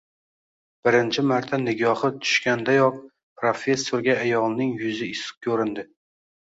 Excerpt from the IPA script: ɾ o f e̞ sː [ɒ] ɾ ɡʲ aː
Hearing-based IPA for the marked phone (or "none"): o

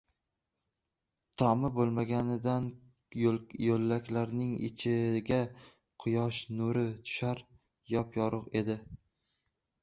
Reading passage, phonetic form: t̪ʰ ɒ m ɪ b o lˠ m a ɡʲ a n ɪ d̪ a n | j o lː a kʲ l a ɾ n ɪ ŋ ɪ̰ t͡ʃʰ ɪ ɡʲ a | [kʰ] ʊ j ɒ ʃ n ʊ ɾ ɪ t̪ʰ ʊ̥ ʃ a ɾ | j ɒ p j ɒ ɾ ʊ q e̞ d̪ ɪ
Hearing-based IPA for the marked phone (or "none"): qʰ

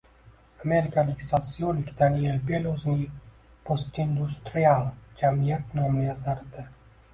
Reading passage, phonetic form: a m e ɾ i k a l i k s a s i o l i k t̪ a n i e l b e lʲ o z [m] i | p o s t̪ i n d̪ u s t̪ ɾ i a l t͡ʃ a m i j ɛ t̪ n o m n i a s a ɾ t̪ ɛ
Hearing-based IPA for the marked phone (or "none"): n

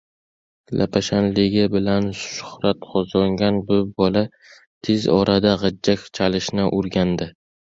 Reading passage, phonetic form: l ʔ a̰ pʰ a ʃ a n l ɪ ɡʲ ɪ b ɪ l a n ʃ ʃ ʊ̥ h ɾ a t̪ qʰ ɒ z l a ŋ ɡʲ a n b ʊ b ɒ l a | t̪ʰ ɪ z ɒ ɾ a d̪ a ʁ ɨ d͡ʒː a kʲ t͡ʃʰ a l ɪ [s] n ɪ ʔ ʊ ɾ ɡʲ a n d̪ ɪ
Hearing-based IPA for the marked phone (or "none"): ʃ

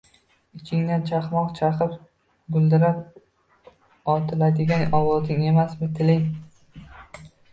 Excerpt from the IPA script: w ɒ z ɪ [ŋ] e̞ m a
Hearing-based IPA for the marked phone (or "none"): ŋ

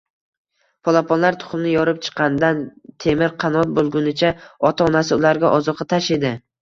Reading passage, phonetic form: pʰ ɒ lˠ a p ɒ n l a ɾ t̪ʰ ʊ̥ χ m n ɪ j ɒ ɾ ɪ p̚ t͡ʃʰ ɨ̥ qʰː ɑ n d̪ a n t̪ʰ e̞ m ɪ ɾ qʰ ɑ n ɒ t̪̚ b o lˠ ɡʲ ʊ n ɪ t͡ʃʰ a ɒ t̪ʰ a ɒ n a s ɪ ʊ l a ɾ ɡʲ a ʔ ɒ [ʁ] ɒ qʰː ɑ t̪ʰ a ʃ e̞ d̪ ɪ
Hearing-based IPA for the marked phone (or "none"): z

